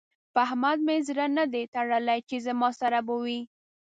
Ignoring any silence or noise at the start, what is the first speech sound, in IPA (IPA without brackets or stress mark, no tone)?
p